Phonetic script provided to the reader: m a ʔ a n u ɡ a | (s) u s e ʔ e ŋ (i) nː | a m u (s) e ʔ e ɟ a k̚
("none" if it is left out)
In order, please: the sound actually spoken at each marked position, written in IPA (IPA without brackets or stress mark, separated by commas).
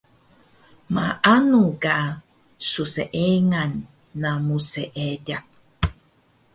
s, a, s